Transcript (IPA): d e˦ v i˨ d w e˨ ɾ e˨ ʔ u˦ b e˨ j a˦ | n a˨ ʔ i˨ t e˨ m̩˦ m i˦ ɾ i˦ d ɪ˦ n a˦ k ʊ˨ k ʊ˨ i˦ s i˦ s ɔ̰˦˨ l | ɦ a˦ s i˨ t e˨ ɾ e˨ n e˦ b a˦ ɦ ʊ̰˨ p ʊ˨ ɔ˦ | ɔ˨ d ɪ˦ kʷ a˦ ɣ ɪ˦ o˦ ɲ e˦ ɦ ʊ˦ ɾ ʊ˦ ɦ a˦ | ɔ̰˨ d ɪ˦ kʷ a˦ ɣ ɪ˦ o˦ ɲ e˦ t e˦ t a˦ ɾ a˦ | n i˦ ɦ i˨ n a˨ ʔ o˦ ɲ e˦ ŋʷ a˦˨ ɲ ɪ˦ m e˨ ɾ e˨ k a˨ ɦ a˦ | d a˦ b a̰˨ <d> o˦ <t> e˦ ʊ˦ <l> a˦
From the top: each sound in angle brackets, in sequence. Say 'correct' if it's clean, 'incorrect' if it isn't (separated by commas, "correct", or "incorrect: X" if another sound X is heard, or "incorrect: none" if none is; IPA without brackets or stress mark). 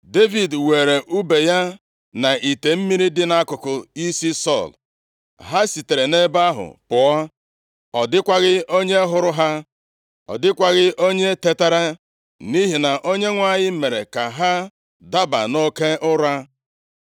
incorrect: n, incorrect: k, incorrect: ɾ